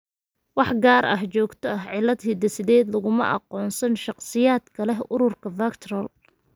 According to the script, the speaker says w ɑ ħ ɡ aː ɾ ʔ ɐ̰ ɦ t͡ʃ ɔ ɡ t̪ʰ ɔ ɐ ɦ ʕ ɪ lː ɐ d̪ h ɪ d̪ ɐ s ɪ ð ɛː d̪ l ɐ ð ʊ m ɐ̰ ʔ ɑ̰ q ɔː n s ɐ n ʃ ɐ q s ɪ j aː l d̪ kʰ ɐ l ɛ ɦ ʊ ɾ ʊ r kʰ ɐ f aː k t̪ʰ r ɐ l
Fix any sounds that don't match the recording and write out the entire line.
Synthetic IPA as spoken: w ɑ ħ ɡ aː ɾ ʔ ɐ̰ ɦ t͡ʃ ɔː ɡ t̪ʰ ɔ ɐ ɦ ʕ ɪ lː ɐ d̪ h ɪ d̪ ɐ s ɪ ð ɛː d̪ l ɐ ɣ ʊ m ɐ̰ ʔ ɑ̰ q ɔː n s ɐ n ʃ ɑ q s ɪ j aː d̪ kʰ ɐ l ɛ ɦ ʊ ɾ ʊ r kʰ ɐ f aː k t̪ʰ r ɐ l